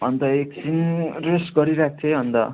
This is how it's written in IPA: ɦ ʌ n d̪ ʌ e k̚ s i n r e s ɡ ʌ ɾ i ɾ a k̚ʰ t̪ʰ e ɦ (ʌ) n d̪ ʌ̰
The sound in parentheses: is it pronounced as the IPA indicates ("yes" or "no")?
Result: yes